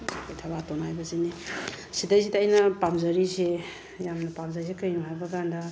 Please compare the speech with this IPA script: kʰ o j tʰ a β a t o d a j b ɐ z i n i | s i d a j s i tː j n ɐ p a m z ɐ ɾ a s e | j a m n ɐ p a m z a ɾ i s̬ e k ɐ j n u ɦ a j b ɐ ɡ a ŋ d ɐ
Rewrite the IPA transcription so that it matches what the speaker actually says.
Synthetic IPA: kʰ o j tʰ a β a t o n a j b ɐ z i n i | s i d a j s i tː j n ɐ p a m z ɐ ɾ i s e | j a m n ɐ p a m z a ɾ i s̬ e k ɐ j n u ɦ a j b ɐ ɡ a n d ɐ